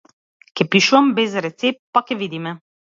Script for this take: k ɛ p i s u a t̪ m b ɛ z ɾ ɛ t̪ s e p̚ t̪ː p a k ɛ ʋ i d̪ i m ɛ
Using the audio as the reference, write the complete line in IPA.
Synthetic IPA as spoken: k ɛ p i ʃ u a m b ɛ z ɾ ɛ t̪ s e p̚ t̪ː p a k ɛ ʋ i d̪ i m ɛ

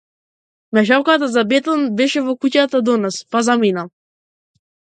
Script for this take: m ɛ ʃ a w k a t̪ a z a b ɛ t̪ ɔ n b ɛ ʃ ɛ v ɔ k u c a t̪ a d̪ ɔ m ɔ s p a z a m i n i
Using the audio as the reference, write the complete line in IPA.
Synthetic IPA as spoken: m ɛ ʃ a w k a t̪ a z a b ɛ t̪ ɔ n b ɛ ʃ ɛ v ɔ k u c a t̪ a d̪ ɔ n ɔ s p a z a m i n a

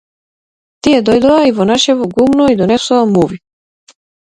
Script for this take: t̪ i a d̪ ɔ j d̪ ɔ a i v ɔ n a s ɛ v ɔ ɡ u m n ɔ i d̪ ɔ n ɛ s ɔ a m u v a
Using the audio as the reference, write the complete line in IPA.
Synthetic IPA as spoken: t̪ i ɛ d̪ ɔ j d̪ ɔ a i v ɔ n a ʃ ɛ v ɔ ɡ u m n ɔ i d̪ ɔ n ɛ s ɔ a m u v i

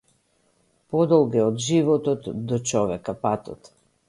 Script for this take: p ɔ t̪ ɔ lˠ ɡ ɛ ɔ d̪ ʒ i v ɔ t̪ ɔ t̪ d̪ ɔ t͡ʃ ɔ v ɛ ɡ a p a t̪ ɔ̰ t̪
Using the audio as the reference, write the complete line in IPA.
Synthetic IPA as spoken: p ɔ d̪ ɔ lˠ ɡ ɛ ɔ d̪ ʒ i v ɔ t̪ ɔ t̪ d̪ ɔ t͡ʃ ɔ v ɛ k a p a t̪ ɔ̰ t̪

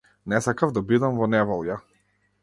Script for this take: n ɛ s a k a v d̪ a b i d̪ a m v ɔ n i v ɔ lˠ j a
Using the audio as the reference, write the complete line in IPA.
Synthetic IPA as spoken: n ɛ s a k a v d̪ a b i d̪ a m v ɔ n ɛ v ɔ lˠ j a

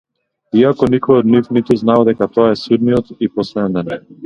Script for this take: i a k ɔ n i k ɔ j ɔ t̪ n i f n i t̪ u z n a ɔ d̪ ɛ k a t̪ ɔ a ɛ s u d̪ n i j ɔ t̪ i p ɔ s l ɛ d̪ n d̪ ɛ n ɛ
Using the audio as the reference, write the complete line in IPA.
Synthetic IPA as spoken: i a k ɔ n i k ɔ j ɔ d̪ n i f n i t̪ u z n a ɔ d̪ ɛ k a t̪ ɔ a ɛ s u d̪ n i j ɔ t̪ i p ɔ s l ɛ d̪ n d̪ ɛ n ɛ

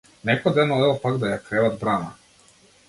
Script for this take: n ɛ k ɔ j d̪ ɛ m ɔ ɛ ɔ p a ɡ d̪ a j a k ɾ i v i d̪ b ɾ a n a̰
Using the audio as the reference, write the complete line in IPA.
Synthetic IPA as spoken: n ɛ k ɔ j d̪ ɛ n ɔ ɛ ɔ p a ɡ d̪ a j a k ɾ ɛ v a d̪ b ɾ a n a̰

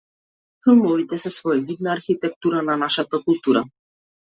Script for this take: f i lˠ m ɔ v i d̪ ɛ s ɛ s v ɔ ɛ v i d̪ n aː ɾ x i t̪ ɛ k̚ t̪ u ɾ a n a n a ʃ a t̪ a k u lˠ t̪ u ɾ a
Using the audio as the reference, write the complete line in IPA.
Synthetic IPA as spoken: f i lˠ m ɔ v i t̪ ɛ s ɛ s v ɔ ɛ v i d̪ n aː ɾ x i t̪ ɛ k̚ t̪ u ɾ a n a n a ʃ a t̪ a k u lˠ t̪ u ɾ a

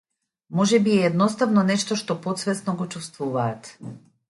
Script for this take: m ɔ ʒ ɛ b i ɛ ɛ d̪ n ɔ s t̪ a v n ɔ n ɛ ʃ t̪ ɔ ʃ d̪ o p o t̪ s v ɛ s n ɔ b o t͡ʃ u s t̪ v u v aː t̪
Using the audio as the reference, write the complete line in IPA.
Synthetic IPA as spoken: m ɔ ʒ ɛ b i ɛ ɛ d̪ n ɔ s t̪ a v n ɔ n ɛ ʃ t̪ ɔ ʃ t̪ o p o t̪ s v ɛ s n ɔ ɡ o t͡ʃ u s t̪ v u v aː t̪

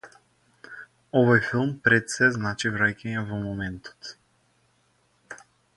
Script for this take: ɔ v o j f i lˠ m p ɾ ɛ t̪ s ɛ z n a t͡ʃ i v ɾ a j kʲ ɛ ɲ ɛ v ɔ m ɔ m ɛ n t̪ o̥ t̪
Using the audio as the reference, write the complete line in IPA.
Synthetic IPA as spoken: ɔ v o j f i lˠ m p ɾ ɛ t̪ s ɛ z n a t͡ʃ i v ɾ a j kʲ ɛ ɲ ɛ v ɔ m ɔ m ɛ n t̪ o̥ t̪

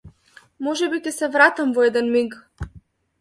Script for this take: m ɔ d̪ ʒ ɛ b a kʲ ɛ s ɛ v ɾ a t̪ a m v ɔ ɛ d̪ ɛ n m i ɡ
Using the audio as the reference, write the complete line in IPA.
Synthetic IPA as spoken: m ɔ ʒ ɛ b i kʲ ɛ s ɛ v ɾ a t̪ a m v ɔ ɛ d̪ ɛ n m i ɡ

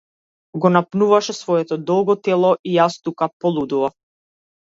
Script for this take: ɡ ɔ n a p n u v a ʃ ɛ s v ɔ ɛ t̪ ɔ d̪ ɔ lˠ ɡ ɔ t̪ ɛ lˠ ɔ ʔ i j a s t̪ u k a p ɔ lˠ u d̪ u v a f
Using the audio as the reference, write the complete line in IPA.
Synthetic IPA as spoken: ɡ ɔ n a p n u v a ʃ ɛ s v ɔ ɛ t̪ ɔ d̪ ɔ lˠ ɡ ɔ t̪ ɛ lˠ ɔ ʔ i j a s t̪ u k a p ɔ lˠ u d̪ u v a f

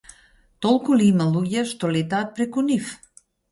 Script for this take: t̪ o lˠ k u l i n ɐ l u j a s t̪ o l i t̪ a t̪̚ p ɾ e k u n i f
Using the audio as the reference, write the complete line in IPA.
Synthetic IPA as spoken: t̪ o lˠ k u l i m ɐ l u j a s t̪ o l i t̪ a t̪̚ p ɾ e k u n i f

